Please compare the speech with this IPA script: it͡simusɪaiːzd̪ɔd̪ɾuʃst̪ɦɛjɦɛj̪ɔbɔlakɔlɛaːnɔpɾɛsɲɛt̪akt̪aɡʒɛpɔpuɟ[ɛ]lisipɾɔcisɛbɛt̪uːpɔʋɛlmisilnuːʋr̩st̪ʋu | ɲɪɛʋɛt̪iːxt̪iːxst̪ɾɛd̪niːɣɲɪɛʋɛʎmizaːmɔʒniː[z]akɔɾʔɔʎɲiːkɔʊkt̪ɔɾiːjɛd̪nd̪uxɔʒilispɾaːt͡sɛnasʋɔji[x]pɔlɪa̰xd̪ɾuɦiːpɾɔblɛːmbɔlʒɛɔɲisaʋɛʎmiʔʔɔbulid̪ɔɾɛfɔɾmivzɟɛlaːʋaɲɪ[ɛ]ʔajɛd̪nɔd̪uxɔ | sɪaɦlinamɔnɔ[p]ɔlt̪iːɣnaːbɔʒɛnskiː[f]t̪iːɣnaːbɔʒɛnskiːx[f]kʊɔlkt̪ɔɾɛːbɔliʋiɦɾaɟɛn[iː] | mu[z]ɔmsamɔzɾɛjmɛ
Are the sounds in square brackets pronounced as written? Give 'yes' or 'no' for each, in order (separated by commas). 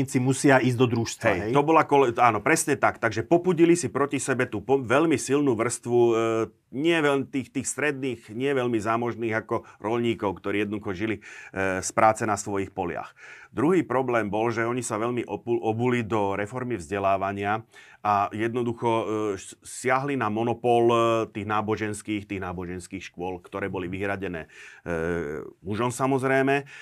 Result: no, no, yes, no, yes, no, no, no, no